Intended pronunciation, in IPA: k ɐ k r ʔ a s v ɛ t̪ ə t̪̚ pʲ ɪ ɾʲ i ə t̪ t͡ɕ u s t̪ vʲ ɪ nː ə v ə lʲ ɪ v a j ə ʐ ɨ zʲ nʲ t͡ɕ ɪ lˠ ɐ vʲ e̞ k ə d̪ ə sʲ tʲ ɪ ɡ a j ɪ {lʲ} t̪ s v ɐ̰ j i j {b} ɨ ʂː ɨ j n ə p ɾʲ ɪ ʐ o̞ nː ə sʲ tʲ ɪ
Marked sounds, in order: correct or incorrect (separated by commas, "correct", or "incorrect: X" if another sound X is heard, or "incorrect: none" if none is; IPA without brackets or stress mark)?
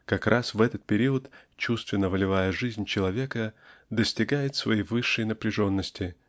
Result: incorrect: none, incorrect: v